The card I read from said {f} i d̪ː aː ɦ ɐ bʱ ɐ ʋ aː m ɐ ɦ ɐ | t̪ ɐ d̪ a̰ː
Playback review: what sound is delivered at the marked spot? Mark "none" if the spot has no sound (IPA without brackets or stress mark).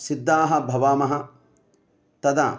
s